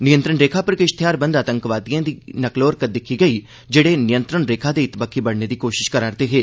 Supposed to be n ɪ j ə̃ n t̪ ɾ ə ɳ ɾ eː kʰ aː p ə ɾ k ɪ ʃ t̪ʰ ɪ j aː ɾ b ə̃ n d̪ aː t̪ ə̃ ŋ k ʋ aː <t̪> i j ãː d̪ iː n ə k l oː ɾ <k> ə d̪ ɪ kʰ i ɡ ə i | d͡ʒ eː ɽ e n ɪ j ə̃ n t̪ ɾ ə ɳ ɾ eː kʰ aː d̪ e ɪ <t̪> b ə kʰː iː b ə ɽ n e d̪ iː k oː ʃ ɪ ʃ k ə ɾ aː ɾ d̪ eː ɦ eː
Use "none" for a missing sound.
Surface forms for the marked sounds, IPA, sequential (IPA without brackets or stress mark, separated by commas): d̪, k, t̪